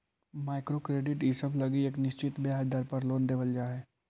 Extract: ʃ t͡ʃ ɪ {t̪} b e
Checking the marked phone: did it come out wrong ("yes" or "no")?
no